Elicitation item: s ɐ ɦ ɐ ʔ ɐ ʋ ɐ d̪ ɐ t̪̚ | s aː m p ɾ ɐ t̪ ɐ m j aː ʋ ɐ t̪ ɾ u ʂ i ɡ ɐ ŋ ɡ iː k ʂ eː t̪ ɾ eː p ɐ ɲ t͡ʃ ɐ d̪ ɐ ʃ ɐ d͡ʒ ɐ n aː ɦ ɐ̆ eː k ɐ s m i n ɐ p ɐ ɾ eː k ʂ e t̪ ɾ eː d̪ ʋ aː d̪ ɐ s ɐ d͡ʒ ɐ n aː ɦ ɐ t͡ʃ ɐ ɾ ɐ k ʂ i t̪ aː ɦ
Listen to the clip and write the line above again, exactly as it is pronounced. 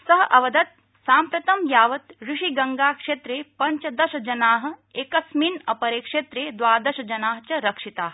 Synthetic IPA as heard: s ɐ ɦ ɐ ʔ ɐ ʋ ɐ d̪ ɐ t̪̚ | s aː m p ɾ ɐ t̪ ɐ m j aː ʋ ɐ t̪ ɾ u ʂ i ɡ ɐ ŋ ɡ aː k ʂ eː t̪ ɾ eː p ɐ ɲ t͡ʃ ɐ d̪ ɐ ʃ ɐ d͡ʒ ɐ n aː ɦ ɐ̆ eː k ɐ s m i n ɐ p ɐ ɾ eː k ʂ e t̪ ɾ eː d̪ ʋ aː d̪ ɐ ʃ ɐ d͡ʒ ɐ n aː ɦ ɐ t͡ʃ ɐ ɾ ɐ k ʂ i t̪ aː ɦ